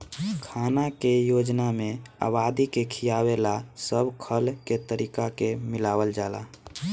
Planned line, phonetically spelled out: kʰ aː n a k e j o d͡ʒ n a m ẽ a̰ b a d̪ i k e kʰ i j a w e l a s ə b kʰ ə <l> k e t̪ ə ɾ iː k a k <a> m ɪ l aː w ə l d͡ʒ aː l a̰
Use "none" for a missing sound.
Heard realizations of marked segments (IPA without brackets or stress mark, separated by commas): l, e